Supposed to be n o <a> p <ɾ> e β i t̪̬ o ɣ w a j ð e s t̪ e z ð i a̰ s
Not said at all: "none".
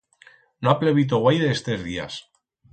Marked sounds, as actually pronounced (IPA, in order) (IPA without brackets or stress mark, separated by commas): a, l